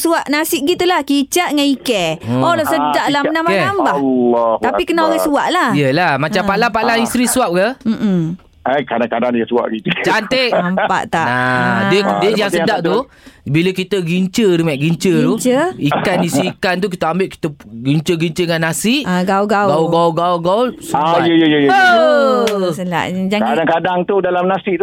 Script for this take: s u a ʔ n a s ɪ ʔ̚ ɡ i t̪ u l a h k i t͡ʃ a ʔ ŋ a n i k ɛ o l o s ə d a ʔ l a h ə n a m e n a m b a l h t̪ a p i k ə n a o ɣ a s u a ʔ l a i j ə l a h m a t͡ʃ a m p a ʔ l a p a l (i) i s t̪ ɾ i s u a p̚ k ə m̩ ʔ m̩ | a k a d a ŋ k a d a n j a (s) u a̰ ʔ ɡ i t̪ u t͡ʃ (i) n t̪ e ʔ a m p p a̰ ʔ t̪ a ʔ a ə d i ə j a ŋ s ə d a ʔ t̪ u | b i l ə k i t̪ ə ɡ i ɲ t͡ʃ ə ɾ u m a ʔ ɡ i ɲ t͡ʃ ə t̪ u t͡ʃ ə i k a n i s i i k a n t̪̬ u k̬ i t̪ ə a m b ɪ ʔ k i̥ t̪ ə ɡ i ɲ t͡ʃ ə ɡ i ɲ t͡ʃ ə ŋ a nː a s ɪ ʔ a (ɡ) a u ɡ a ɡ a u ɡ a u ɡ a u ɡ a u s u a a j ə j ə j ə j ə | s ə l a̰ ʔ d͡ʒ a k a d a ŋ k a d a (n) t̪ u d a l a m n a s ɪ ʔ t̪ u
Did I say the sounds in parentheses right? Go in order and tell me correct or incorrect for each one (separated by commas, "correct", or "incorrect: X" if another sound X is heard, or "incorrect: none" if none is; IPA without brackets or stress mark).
incorrect: a, correct, incorrect: a, correct, incorrect: ŋ